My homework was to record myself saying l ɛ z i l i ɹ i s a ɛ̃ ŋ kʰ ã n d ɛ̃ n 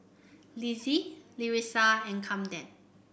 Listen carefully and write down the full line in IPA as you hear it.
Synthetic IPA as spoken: l i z i l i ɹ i s a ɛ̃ n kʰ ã m d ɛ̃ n